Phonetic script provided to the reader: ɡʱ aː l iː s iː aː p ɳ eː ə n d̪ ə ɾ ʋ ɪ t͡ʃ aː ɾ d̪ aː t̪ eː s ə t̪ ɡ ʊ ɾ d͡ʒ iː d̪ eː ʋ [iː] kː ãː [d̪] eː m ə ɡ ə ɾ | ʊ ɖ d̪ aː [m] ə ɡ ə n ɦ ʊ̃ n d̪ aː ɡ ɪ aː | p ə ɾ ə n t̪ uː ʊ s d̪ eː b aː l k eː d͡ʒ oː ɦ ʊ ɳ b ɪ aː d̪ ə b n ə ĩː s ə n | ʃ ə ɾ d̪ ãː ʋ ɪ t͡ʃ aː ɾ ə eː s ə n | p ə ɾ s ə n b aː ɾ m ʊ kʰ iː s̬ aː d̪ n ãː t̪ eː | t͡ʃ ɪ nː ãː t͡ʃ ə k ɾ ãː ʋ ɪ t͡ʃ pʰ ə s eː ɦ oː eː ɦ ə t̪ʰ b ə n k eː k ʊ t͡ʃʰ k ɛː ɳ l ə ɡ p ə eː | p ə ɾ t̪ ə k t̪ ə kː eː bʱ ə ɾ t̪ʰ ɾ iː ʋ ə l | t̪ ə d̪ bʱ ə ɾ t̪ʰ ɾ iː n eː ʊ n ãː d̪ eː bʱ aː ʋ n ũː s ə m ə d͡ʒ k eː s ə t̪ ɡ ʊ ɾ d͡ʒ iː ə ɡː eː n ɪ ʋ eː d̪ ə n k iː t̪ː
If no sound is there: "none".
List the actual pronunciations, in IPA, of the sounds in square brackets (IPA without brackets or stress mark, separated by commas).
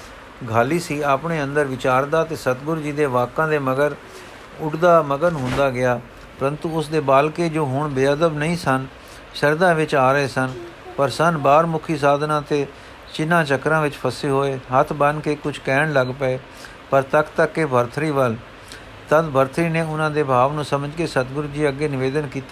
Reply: aː, d̪, m